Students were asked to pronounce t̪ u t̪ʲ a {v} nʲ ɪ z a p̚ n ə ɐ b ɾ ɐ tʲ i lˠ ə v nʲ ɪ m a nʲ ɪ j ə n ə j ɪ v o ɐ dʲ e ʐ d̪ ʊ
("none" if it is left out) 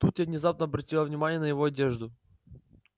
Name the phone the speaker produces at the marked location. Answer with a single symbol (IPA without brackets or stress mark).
v